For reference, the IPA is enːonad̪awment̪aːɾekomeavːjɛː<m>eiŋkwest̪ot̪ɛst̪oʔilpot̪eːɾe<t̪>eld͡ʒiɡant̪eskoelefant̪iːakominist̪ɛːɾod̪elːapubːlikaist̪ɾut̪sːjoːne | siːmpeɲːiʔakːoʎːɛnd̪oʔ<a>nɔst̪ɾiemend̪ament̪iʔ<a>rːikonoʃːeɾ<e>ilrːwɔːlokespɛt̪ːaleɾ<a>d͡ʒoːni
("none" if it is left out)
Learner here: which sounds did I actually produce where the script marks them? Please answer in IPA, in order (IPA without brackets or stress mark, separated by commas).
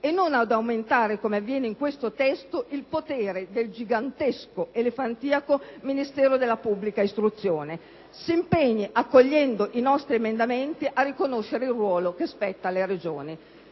n, d̪, i, a, e, e